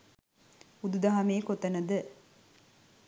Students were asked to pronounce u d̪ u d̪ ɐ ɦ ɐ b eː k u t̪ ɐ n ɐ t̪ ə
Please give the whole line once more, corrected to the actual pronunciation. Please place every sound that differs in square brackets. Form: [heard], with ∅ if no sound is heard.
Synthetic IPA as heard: u d̪ u d̪ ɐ ɦ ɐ [m] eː k [o] t̪ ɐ n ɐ [d̪] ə